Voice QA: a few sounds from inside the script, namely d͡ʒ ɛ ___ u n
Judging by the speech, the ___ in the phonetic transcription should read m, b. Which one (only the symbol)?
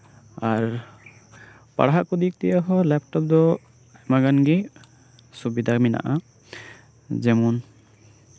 m